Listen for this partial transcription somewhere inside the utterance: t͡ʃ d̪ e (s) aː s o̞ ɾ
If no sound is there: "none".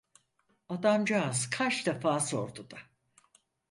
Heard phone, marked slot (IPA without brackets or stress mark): f